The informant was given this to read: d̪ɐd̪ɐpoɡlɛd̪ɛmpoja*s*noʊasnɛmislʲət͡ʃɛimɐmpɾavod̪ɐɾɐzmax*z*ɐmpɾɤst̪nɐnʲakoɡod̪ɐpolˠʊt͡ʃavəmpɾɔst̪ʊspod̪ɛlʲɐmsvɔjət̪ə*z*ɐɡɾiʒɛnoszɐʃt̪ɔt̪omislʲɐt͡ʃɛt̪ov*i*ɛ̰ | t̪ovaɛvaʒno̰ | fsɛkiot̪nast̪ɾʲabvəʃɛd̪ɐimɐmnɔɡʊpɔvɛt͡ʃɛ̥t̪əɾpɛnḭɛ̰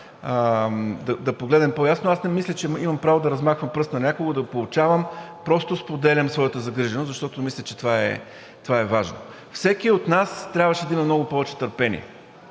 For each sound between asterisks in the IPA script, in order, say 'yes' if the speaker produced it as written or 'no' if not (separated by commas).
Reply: yes, no, yes, no